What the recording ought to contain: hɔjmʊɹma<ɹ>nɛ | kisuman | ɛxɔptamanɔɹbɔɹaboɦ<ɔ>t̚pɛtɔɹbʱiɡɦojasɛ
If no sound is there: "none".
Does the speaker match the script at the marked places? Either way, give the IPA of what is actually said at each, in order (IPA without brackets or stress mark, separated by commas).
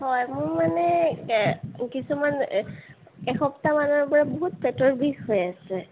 none, u